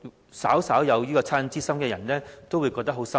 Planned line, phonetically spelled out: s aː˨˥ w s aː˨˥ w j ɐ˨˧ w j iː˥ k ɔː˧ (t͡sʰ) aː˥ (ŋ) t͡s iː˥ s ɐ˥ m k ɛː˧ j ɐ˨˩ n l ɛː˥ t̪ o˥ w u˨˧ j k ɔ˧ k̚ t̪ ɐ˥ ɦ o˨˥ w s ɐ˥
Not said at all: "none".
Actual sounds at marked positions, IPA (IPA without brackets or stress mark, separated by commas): t͡sʰ, n